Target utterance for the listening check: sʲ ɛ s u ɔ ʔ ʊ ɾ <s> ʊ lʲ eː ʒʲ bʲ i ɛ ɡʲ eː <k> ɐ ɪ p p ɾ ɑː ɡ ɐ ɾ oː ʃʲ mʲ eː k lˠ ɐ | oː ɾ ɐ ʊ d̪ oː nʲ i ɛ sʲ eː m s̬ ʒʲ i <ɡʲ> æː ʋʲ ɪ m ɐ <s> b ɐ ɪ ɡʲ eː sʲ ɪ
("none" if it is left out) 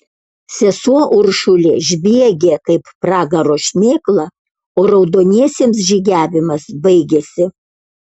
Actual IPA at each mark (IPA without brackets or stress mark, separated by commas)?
ʃ, k, ɡʲ, s